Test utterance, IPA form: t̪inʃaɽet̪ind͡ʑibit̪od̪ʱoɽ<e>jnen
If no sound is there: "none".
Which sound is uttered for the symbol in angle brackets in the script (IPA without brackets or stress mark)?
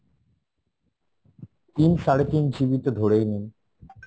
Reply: e